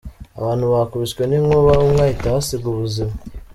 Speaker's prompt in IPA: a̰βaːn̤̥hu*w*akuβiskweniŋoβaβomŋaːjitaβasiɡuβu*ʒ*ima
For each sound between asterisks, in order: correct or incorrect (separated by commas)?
incorrect, incorrect